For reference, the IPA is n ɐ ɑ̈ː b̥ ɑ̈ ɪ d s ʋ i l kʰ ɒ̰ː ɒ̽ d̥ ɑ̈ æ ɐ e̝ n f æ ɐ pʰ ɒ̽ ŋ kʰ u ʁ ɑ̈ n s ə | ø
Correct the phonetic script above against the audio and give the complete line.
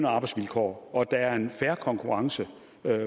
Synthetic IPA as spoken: n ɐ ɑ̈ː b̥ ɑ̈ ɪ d s ʋ i l kʰ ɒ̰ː ɒ̽ d̥ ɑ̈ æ ɐ e̝ n f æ ɐ kʰ ɒ̽ ŋ kʰ u ʁ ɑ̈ ŋ s ə | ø